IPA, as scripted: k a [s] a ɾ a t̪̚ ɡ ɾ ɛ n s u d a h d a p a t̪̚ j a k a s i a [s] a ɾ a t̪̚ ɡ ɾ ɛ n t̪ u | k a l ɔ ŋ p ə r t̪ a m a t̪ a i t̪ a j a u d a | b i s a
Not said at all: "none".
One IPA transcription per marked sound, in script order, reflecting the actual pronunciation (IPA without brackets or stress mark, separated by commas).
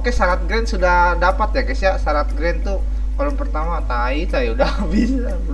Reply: s, s